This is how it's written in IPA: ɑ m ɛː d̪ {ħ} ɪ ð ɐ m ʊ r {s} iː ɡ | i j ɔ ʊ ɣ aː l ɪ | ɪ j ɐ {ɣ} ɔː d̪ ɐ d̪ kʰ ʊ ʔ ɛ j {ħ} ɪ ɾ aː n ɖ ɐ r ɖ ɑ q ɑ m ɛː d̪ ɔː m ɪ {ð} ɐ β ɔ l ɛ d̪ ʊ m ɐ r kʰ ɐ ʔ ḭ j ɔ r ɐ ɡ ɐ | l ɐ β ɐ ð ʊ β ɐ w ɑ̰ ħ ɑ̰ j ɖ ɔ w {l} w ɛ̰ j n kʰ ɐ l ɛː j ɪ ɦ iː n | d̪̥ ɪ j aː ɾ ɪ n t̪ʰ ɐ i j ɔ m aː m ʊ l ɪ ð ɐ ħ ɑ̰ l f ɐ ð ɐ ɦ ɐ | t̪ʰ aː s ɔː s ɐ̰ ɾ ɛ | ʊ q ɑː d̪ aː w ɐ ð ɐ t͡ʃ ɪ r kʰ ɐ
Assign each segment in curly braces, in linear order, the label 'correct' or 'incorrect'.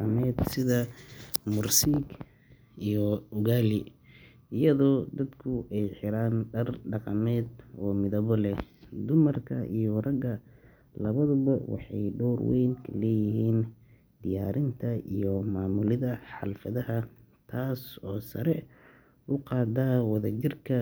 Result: incorrect: s, correct, incorrect: ð, correct, correct, incorrect: r

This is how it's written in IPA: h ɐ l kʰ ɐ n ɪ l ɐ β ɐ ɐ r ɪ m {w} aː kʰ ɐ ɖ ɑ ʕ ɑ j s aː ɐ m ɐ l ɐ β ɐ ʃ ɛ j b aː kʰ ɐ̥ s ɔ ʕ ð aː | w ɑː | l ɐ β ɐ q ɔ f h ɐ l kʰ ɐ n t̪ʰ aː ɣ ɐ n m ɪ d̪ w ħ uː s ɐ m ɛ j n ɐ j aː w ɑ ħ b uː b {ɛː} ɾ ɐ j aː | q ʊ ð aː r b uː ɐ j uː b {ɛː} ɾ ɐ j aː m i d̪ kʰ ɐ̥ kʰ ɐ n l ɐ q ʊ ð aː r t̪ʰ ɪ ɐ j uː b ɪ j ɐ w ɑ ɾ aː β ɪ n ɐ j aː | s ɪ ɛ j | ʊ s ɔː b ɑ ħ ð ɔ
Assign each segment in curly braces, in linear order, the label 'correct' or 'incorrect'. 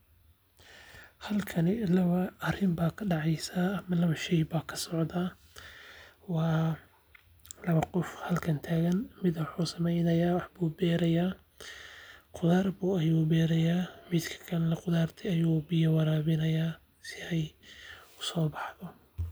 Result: incorrect: b, correct, correct

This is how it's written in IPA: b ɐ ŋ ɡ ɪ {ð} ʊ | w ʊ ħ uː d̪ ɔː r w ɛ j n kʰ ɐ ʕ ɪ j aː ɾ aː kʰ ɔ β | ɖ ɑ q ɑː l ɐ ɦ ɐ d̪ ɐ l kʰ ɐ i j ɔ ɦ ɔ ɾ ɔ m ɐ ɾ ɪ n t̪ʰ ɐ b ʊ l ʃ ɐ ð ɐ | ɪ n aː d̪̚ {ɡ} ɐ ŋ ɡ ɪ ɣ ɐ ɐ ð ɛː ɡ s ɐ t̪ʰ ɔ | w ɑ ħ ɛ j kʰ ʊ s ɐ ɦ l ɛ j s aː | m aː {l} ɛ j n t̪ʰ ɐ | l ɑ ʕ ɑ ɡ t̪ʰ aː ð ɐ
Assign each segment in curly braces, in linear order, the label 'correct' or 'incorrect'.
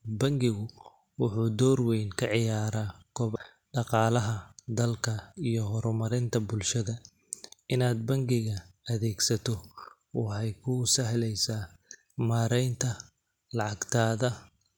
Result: incorrect: ɣ, incorrect: b, incorrect: ɾ

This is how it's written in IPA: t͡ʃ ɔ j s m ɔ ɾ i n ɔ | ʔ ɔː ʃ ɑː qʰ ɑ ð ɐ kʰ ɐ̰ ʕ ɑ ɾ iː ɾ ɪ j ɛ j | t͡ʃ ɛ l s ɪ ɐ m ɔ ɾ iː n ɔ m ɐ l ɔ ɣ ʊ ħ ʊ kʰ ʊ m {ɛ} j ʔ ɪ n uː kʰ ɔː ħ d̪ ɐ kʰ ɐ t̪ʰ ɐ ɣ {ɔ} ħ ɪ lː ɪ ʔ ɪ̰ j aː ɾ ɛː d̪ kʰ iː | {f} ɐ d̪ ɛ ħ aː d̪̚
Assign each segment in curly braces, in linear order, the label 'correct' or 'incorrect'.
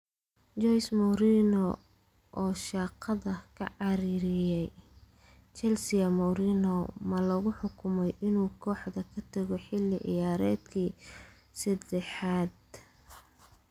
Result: correct, correct, incorrect: s

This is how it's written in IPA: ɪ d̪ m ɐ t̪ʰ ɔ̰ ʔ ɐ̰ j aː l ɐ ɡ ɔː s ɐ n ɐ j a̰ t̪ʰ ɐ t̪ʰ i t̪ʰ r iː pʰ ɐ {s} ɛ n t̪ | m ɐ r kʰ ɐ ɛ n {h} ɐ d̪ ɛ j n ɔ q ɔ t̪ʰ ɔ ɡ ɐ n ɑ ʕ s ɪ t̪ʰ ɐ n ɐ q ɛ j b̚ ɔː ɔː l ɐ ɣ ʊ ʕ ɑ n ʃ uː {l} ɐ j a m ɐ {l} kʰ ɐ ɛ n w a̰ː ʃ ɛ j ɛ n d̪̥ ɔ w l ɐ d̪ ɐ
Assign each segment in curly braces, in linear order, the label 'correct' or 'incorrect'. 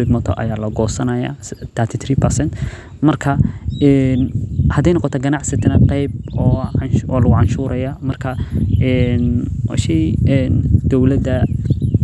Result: correct, correct, incorrect: ɾ, incorrect: r

